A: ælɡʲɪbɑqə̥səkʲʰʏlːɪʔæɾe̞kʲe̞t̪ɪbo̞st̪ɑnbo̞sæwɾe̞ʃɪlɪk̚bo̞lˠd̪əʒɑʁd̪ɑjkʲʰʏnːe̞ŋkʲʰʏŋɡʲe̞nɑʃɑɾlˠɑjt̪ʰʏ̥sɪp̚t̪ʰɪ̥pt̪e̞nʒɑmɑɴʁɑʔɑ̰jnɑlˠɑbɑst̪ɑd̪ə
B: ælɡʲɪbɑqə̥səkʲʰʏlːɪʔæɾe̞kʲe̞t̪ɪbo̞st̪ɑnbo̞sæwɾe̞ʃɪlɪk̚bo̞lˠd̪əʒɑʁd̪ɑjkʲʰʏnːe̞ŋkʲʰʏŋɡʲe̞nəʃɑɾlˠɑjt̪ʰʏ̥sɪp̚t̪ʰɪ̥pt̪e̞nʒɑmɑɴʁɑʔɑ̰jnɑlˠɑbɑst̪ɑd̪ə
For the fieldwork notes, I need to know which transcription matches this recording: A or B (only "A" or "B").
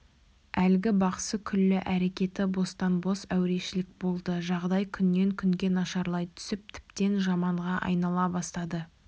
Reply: A